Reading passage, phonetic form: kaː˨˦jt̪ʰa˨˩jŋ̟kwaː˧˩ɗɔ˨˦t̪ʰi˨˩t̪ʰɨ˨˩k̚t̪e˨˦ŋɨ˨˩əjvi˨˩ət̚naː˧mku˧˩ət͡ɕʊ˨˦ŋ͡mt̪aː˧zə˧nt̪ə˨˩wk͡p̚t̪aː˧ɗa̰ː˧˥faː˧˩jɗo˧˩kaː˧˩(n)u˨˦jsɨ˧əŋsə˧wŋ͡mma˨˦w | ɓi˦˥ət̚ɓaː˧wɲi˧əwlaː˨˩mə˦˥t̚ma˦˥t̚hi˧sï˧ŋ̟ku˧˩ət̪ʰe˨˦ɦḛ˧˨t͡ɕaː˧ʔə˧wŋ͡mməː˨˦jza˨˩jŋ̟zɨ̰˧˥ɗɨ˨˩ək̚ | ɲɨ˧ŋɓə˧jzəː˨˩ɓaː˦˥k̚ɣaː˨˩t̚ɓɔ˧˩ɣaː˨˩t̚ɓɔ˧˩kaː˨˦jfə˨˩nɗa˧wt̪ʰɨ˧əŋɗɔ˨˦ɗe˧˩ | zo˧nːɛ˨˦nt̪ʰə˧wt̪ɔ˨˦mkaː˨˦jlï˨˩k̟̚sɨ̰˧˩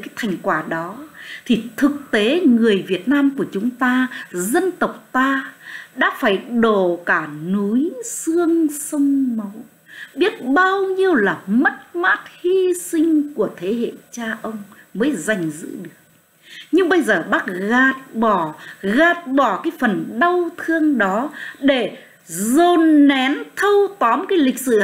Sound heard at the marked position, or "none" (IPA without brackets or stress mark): n